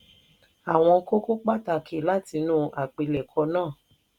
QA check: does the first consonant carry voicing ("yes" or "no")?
yes